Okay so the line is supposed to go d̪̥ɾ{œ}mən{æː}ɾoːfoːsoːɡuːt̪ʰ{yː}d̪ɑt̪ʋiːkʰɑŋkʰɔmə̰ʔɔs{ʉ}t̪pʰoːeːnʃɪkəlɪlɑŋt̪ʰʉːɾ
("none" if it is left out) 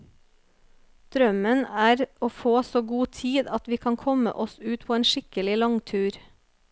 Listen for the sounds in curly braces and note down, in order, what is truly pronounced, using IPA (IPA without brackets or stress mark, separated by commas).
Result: œ, æː, iː, ʉː